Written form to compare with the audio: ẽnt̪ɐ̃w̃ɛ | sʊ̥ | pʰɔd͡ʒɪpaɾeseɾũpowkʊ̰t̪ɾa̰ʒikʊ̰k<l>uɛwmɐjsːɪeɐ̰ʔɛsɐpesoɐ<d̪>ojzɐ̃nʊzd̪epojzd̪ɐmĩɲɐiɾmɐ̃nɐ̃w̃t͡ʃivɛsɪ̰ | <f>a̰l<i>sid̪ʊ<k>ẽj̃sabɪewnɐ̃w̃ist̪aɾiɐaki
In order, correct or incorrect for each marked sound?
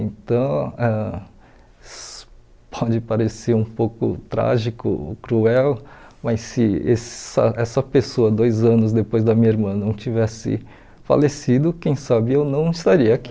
incorrect: ɾ, correct, correct, incorrect: e, correct

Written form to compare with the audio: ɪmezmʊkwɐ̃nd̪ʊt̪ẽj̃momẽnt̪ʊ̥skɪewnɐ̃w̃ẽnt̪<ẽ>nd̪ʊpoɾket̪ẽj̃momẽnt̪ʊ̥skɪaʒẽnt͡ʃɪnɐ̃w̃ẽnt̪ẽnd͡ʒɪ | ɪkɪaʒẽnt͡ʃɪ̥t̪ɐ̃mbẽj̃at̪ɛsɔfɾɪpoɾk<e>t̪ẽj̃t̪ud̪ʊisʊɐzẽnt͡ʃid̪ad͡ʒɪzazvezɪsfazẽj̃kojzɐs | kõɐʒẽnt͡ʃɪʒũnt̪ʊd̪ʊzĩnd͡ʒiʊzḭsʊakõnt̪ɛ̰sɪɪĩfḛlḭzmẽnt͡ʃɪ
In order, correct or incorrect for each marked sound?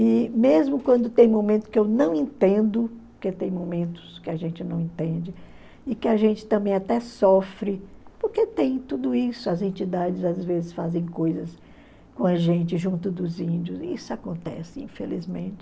correct, correct

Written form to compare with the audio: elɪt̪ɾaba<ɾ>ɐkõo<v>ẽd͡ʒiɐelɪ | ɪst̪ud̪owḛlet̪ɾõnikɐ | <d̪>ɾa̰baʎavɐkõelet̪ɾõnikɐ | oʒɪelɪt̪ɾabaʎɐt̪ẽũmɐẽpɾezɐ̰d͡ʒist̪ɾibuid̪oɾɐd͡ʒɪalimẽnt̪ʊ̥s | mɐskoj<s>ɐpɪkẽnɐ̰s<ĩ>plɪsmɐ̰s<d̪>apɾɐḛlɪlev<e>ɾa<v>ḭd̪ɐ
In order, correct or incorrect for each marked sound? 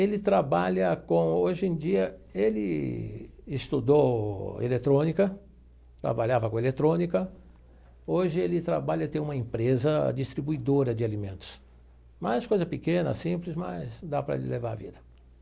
incorrect: ʎ, incorrect: ʒ, incorrect: t̪, incorrect: z, correct, correct, incorrect: a, correct

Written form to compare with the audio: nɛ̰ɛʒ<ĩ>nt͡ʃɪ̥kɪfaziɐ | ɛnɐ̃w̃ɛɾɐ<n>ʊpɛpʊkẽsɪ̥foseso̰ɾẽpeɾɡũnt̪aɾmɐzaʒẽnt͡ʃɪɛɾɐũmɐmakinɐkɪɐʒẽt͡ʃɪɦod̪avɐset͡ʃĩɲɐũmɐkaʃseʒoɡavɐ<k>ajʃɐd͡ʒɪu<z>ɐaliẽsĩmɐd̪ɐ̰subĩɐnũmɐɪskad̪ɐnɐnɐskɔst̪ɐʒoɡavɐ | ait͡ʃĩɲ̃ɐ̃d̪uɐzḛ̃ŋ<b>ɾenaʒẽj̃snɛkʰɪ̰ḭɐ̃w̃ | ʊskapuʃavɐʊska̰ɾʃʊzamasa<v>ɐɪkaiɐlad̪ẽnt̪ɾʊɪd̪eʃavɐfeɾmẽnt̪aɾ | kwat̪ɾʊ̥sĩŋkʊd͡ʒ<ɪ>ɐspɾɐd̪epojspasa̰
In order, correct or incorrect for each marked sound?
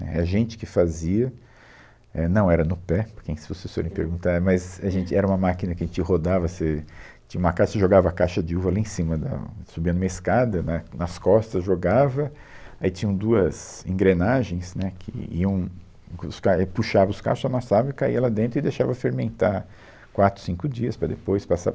incorrect: ẽ, correct, correct, incorrect: v, incorrect: ɡ, correct, incorrect: i

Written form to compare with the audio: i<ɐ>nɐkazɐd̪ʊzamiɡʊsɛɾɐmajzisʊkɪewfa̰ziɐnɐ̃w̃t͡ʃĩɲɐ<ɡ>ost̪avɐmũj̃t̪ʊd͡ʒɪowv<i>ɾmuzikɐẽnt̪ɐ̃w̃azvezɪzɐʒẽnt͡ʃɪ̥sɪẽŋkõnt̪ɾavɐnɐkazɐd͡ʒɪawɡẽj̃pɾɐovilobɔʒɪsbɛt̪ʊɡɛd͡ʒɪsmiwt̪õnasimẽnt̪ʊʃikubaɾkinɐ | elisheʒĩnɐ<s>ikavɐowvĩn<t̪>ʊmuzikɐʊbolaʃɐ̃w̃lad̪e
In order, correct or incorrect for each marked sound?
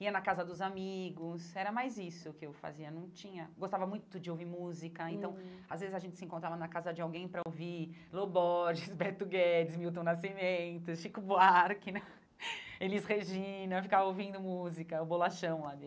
correct, correct, correct, incorrect: f, incorrect: d̪

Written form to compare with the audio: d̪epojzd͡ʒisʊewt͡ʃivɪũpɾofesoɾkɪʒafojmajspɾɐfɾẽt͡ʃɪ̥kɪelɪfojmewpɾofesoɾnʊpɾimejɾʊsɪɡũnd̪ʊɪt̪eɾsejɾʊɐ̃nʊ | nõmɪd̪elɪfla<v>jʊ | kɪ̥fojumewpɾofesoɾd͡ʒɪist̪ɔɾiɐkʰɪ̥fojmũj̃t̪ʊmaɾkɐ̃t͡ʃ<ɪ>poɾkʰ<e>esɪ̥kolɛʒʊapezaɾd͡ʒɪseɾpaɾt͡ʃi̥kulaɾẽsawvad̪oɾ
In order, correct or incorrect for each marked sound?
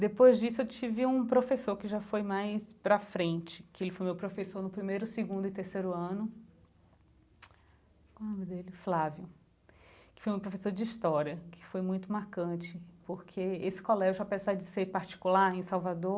correct, correct, correct

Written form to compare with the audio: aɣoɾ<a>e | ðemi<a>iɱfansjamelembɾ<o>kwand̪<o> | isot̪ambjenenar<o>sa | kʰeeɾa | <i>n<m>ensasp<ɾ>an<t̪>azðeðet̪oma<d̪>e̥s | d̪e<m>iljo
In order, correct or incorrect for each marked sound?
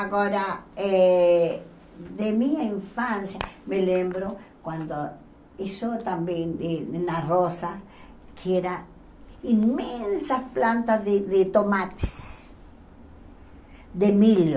correct, correct, correct, correct, correct, correct, correct, incorrect: l, correct, incorrect: t̪, correct

